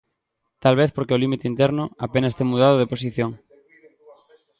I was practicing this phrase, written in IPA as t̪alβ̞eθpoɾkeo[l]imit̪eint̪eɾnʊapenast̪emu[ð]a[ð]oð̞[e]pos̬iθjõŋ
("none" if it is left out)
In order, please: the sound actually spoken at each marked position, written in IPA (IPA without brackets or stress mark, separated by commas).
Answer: l, ð, ð, e